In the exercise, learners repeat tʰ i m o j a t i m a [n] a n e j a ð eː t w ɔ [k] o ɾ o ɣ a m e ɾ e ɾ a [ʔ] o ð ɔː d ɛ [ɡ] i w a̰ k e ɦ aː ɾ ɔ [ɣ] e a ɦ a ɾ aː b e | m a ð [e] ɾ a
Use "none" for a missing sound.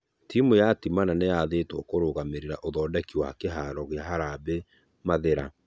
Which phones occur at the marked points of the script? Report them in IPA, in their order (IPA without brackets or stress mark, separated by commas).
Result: n, k, ʔ, k, ɣ, e